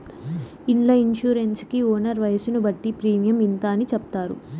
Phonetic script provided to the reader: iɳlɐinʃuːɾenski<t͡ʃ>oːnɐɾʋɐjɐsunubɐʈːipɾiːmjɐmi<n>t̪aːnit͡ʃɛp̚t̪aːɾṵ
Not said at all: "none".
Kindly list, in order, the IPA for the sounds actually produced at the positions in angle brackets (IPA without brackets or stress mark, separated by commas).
none, n